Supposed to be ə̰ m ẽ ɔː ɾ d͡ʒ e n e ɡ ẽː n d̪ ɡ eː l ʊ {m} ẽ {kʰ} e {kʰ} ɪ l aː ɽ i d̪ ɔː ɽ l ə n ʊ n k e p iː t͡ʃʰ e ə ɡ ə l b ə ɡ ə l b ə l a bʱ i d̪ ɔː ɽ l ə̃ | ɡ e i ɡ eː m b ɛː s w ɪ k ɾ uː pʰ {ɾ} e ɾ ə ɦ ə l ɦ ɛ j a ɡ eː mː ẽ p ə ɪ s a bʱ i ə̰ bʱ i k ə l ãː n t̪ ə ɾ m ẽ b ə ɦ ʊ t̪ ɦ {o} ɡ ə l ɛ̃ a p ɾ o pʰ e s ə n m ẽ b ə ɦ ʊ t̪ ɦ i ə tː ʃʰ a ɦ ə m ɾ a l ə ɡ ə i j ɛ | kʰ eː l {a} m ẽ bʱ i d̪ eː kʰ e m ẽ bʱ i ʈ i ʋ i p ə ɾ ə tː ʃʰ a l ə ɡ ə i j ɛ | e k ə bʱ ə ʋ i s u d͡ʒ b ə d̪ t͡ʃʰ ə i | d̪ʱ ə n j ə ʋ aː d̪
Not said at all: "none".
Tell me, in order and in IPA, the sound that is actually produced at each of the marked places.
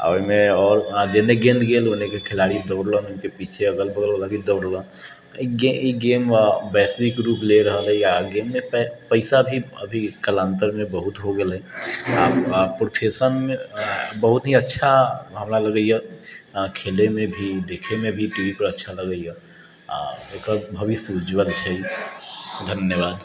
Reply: n, k, kʰ, l, o, e

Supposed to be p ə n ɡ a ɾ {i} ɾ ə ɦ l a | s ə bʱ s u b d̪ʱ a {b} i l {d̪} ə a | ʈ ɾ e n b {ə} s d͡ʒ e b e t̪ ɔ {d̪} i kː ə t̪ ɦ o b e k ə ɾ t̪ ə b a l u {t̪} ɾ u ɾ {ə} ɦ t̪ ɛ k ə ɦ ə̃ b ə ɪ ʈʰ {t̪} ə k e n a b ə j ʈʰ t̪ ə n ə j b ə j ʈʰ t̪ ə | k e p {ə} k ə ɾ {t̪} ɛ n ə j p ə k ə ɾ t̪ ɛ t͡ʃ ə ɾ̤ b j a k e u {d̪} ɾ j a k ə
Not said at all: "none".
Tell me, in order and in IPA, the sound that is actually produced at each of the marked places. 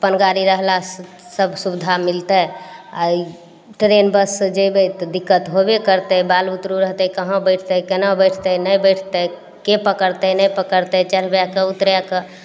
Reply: i, m, t̪, ə, d̪, t̪, ə, t̪, ə, t̪, t̪

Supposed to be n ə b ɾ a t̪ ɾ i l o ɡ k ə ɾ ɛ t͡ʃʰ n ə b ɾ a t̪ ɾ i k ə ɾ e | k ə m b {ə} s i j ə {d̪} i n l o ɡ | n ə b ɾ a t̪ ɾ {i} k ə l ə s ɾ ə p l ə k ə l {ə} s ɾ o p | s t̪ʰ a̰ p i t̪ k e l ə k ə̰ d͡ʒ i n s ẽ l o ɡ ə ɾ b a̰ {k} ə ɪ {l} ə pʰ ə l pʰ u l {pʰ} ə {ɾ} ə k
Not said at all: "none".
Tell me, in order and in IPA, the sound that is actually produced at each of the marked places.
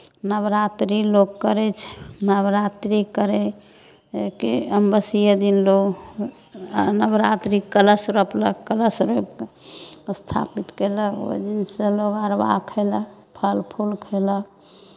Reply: ə, d̪, i, ə, kʰ, l, kʰ, l

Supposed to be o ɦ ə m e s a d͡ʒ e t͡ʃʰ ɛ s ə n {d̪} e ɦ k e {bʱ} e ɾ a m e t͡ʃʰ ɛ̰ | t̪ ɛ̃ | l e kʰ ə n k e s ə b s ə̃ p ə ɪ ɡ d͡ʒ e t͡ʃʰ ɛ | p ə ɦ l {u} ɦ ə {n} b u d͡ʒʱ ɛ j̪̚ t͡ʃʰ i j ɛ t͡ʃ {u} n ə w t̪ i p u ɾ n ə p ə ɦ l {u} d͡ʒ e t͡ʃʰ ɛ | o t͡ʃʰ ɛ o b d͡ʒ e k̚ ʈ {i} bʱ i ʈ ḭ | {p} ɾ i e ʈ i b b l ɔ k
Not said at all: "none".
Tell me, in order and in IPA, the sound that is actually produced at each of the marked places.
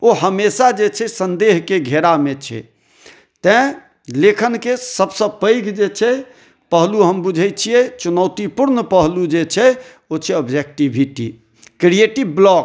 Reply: d̪, ɡʱ, u, m, u, u, i, k

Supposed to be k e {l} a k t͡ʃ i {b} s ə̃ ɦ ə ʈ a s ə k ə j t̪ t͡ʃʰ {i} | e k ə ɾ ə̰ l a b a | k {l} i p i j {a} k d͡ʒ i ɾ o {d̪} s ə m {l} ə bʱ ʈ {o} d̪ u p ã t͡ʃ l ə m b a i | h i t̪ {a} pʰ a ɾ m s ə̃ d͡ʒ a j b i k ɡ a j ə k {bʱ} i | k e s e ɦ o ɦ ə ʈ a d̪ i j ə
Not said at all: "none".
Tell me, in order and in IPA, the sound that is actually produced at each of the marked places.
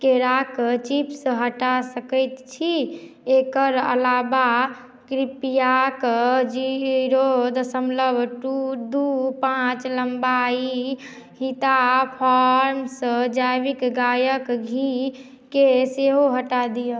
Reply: ɾ, p, i, ɾ, a, d̪, l, u, a, ɡʱ

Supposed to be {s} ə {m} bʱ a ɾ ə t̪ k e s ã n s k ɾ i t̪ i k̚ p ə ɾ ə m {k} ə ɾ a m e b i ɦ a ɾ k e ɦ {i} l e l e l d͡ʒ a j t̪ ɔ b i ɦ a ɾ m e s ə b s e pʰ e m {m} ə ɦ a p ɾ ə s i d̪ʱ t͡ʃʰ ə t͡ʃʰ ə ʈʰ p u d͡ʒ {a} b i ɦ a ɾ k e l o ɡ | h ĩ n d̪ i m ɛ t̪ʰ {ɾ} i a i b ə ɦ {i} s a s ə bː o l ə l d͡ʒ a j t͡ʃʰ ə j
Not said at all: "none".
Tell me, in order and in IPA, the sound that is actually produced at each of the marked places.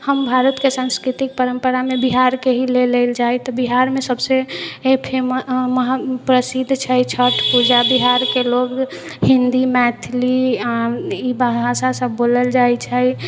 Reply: h, m, p, i, m, a, l, a

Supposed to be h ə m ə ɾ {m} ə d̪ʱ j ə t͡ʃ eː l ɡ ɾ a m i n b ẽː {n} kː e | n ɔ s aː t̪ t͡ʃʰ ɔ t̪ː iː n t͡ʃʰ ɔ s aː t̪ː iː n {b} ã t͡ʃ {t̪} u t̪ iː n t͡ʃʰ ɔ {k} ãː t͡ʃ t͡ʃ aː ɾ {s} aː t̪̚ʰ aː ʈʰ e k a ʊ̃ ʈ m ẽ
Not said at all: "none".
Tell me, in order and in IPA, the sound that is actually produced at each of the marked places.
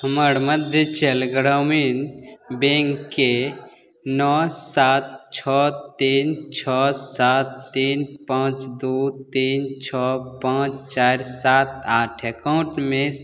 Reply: m, ŋ, p, d̪, p, s

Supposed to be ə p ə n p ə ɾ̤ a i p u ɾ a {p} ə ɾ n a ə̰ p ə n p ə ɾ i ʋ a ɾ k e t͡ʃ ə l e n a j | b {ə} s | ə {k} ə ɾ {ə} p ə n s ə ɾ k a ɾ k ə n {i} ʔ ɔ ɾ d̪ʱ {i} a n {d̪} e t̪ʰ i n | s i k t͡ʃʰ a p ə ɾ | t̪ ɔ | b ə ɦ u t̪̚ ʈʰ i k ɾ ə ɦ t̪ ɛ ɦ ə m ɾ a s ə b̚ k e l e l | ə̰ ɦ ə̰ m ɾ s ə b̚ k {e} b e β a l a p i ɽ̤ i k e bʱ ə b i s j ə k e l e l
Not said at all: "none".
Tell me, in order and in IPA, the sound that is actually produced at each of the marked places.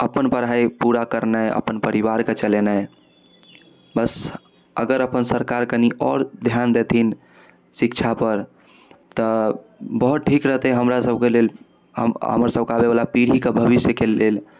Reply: k, ə, ɡ, ə, i, j, d̪, a

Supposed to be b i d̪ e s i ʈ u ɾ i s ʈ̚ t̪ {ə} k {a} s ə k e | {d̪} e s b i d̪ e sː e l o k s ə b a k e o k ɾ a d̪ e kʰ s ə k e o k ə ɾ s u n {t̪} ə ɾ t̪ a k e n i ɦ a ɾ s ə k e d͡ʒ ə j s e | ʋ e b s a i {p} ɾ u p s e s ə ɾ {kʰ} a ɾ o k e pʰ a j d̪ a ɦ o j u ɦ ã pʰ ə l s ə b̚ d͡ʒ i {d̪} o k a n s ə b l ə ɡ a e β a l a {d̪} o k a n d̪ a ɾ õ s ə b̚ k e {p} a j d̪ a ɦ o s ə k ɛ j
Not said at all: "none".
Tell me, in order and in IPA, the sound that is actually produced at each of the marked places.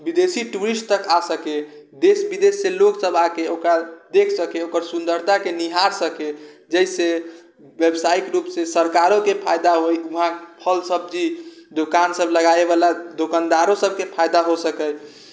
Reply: ə, a, d̪, d̪, k, k, d̪, d̪, pʰ

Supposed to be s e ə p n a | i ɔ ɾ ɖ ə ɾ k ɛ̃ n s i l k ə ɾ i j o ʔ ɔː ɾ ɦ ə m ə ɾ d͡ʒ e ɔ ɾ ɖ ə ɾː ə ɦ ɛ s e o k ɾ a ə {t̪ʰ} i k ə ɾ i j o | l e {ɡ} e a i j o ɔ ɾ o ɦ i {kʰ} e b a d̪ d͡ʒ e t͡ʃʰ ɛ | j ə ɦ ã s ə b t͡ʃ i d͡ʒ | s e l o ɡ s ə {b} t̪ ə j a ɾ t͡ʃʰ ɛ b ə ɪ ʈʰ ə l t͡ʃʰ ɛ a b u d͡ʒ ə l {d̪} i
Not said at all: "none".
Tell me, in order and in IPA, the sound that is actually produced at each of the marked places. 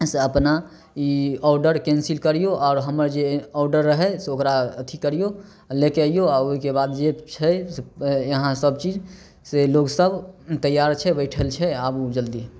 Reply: t̪ʰ, k, k, b, d̪

